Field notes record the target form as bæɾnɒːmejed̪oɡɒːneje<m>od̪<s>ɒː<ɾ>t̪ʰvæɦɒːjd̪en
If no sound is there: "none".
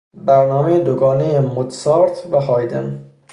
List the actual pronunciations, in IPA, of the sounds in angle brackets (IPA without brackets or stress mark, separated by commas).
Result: m, s, ɾ